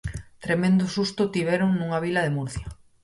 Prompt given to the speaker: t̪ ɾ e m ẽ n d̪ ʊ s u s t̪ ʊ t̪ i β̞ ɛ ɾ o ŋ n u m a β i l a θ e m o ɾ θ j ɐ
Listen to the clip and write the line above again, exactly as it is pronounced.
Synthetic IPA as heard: t̪ ɾ e m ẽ n d̪ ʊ s u s t̪ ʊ t̪ i β̞ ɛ ɾ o ŋ n u ŋ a β i l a ð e m u ɾ θ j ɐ